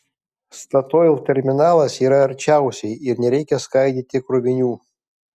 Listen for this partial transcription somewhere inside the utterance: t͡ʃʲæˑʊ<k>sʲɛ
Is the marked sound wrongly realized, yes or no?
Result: yes